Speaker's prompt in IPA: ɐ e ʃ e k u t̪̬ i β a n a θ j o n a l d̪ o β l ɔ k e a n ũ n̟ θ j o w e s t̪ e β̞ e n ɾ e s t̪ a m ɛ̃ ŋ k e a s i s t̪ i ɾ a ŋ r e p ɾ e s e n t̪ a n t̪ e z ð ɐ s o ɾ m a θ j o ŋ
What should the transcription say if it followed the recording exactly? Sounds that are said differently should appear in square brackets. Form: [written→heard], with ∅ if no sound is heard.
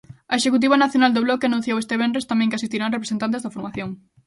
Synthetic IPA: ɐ e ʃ e k u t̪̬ i β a n a θ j o n a l d̪ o β l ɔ k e a n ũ n̟ θ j o w e s t̪ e β̞ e n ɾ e s t̪ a m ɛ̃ ŋ k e a s i s t̪ i ɾ a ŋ r e p ɾ e s e n t̪ a n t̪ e z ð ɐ [s→f] o ɾ m a θ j o ŋ